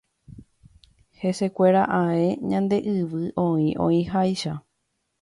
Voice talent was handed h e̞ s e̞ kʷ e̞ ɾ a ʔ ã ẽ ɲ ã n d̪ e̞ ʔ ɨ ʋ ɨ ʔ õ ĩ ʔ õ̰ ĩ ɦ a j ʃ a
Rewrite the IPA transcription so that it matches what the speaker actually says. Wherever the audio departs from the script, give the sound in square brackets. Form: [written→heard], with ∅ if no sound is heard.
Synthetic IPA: h e̞ s e̞ kʷ e̞ ɾ a ʔ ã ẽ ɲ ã n d̪ e̞ ʔ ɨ ʋ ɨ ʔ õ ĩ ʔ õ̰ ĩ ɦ a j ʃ a

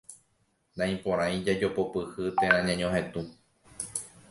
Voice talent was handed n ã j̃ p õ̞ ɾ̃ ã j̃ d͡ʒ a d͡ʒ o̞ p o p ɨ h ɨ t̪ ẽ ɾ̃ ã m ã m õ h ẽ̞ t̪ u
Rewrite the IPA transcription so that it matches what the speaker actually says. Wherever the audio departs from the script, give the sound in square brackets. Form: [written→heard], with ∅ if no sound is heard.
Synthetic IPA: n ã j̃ p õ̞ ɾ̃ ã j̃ d͡ʒ a d͡ʒ o̞ p o p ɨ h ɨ t̪ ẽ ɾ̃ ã [m→ɲ] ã [m→ɲ] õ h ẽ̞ t̪ u

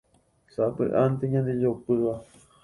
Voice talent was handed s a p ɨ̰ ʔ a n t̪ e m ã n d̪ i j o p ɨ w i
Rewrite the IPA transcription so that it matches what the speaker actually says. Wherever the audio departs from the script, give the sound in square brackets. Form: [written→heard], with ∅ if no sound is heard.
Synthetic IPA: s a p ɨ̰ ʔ a n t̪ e [m→ɲ] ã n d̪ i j o p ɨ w [i→a]

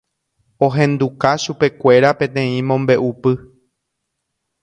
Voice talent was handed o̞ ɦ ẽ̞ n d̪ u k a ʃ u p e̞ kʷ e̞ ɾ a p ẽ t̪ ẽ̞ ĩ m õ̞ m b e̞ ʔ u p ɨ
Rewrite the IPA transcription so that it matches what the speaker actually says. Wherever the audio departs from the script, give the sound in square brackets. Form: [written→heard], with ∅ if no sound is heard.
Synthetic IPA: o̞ ɦ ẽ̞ n d̪ u k a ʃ u p e̞ kʷ e̞ ɾ a p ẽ t̪ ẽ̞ ĩ m õ̞ m b e̞ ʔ u p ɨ

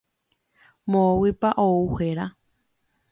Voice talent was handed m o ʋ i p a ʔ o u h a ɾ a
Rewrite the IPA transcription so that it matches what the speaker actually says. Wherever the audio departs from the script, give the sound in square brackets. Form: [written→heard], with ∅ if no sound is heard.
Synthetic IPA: m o [ʋ→w] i p a ʔ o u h [a→e] ɾ a

